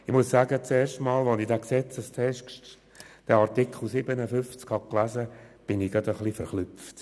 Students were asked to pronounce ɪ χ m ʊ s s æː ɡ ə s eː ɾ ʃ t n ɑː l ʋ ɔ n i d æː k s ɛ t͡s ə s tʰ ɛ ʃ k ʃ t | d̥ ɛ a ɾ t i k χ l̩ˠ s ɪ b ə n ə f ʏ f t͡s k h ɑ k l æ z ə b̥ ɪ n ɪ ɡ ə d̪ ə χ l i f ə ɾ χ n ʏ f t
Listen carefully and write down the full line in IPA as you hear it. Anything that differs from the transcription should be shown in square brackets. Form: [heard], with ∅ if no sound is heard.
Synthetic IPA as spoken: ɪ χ m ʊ s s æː ɡ ə [t͡s] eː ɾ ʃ t [m] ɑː l ʋ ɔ n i d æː k s ɛ t͡s ə s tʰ ɛ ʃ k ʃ t | d̥ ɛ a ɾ t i k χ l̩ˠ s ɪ b ə n ə f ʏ f t͡s k h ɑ k l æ z ə b̥ ɪ n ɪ ɡ [ɑ] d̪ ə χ l i f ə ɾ χ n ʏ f t